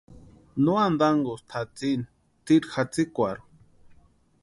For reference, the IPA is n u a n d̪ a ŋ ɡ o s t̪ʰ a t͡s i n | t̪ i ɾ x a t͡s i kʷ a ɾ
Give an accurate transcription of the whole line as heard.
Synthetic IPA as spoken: n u a n d̪ a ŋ ɡ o s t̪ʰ a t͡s i n | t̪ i ɾ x a t͡s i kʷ a ɾ